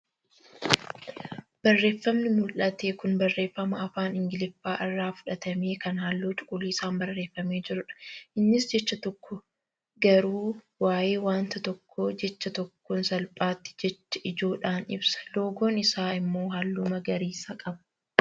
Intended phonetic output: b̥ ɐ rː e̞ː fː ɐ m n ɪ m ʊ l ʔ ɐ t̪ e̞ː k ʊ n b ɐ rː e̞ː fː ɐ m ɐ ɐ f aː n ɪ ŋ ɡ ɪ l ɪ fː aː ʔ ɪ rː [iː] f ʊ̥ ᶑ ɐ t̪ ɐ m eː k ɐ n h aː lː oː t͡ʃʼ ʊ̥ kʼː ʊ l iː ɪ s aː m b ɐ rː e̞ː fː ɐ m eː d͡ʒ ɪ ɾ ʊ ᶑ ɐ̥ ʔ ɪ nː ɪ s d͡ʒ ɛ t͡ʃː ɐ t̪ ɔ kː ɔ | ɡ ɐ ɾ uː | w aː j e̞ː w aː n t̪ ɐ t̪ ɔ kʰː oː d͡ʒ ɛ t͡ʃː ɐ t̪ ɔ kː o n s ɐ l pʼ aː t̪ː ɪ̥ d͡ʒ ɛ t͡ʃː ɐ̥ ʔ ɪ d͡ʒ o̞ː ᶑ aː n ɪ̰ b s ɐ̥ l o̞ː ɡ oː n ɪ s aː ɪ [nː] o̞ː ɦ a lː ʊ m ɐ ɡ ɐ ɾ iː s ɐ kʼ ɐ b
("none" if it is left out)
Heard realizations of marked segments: aː, mː

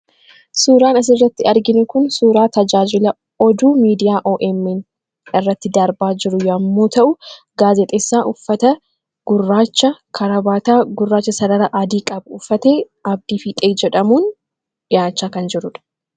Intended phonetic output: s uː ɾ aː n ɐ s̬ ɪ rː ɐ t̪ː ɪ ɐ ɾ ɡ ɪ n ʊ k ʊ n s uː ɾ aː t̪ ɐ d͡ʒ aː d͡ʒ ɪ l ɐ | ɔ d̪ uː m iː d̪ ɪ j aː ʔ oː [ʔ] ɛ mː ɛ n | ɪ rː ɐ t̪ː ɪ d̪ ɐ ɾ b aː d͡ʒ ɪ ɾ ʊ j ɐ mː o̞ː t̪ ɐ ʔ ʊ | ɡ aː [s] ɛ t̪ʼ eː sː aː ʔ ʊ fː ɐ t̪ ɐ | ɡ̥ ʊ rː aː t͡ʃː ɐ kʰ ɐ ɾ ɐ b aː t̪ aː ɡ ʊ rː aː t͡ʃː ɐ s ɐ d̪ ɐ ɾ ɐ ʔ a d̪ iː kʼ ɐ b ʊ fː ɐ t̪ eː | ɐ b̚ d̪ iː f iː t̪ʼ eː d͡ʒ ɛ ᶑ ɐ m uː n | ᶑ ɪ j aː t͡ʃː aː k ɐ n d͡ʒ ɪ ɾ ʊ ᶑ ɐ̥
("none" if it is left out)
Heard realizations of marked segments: ʔ, z

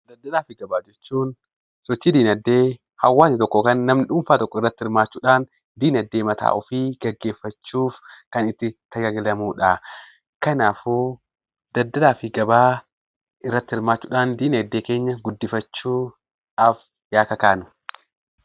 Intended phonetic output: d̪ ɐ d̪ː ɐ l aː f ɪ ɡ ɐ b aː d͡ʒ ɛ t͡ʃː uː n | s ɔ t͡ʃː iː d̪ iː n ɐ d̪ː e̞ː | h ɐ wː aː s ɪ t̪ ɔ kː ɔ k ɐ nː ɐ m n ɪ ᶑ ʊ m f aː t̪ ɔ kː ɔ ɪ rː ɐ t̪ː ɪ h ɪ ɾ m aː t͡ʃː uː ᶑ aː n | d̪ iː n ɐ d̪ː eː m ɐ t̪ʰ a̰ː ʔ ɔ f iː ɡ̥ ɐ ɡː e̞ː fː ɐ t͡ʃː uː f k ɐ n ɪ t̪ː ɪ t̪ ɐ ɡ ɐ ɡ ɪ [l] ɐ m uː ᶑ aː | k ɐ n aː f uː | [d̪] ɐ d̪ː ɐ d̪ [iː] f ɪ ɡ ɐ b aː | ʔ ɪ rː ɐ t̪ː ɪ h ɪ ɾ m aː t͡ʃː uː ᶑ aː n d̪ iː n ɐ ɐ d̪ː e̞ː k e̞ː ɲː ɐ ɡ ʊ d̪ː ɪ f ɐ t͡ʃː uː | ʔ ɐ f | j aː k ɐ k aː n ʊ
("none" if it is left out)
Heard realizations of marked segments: l, d̪, aː

